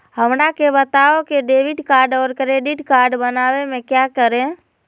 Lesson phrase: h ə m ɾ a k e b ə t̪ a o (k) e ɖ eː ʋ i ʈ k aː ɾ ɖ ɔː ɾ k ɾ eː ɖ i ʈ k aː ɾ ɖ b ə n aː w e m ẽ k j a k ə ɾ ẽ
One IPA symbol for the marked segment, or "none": k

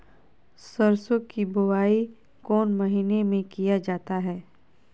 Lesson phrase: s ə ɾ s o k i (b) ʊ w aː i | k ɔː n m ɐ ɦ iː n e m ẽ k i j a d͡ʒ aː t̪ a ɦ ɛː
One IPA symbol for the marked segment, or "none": b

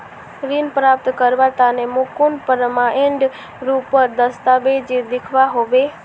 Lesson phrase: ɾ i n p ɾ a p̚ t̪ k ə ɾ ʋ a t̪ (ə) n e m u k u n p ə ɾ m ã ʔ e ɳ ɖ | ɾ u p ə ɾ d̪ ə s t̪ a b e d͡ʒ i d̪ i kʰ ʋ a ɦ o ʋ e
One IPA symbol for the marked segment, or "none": a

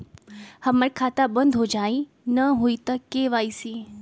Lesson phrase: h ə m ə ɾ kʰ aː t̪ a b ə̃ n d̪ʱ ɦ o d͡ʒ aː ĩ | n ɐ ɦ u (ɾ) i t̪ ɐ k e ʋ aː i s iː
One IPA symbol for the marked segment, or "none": none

